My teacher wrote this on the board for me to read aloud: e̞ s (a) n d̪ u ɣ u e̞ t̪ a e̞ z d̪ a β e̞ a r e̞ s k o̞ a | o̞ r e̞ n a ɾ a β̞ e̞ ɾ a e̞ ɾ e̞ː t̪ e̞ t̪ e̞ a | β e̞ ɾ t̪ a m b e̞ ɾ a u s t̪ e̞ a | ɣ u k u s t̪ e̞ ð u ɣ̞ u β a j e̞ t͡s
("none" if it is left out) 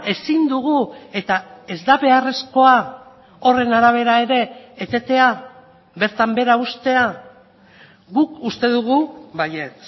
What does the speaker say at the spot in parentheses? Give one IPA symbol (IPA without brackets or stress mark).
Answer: i